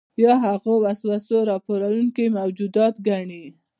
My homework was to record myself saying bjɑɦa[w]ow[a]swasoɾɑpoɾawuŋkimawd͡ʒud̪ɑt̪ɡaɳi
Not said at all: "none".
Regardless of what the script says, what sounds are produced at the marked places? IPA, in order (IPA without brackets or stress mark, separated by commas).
ɣ, a